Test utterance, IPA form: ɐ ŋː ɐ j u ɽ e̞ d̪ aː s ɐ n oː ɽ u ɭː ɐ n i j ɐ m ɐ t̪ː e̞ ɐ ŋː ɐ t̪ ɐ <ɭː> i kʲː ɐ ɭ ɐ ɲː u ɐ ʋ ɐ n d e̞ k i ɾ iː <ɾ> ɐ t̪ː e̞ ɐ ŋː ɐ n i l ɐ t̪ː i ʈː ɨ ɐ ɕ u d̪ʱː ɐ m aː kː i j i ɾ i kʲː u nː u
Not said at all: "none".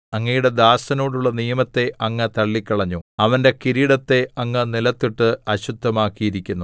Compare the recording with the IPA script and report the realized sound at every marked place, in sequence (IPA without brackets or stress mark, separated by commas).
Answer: ɭː, ɽ